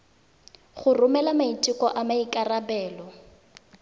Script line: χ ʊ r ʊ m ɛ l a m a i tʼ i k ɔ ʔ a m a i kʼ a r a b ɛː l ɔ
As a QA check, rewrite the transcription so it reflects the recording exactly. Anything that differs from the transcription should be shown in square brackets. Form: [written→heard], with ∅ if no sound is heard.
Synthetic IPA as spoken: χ ʊ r ʊ m ɛ l a m a i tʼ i k ɔ ʔ a m a i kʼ a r a b ɛː l ɔ